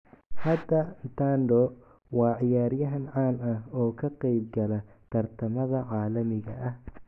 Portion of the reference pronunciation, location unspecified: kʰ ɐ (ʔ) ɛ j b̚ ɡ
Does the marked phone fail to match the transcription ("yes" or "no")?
yes